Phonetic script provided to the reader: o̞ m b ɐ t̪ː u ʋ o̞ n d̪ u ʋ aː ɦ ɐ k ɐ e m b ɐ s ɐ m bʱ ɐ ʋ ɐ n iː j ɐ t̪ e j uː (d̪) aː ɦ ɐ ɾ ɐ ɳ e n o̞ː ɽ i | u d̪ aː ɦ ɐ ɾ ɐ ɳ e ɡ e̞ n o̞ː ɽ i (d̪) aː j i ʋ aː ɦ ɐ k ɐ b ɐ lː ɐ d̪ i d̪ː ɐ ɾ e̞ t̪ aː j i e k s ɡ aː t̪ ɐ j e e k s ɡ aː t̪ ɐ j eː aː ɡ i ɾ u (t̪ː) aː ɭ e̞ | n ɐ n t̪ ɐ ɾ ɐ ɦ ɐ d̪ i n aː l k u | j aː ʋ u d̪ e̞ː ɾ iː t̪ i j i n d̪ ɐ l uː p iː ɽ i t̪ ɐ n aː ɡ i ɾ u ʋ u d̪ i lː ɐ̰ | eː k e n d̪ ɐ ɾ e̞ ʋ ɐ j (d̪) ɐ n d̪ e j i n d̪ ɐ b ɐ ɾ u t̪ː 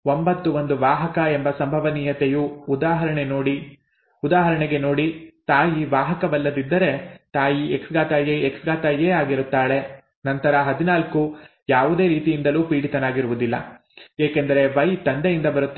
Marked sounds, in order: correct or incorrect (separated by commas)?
correct, incorrect, correct, incorrect